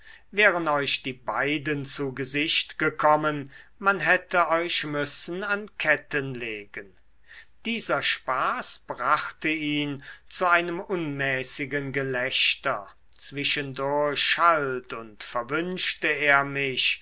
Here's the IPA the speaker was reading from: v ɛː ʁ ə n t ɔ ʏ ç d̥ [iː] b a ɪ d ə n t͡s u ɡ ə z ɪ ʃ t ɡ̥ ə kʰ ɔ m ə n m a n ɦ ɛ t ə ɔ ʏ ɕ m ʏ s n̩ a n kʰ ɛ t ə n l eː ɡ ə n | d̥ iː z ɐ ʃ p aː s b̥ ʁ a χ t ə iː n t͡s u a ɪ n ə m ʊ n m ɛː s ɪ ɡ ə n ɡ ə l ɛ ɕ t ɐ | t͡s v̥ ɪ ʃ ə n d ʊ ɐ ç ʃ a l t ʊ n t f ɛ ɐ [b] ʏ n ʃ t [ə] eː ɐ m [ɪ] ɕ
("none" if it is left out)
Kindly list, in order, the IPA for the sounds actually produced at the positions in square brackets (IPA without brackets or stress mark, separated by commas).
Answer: iː, v, ə, ɪ